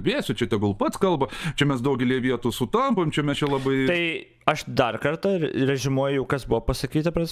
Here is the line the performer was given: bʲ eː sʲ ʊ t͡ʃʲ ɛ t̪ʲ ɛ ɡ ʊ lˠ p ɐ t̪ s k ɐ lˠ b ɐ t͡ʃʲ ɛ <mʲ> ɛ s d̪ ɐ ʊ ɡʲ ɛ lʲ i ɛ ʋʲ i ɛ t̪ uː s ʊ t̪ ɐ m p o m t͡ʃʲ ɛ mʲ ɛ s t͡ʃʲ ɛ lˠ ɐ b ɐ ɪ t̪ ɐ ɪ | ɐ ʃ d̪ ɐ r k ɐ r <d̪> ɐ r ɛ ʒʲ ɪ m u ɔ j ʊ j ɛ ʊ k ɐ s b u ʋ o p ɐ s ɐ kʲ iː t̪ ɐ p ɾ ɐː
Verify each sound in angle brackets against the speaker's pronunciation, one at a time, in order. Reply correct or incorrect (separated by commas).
correct, incorrect